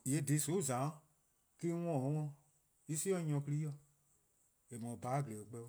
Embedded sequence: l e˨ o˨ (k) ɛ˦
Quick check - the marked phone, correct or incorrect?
incorrect